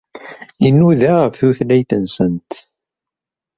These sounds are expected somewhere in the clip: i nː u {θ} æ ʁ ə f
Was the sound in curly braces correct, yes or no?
no